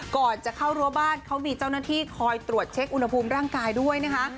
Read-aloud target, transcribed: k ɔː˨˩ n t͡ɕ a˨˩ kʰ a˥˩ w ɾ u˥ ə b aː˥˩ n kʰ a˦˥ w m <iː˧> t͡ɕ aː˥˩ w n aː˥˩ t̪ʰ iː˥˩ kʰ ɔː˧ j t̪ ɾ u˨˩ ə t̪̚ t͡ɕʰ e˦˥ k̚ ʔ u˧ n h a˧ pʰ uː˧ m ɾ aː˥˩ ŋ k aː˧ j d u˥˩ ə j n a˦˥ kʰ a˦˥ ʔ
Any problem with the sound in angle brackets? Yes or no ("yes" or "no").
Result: no